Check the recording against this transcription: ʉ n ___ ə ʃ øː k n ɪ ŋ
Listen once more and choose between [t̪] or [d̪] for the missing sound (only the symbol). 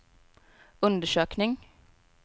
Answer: d̪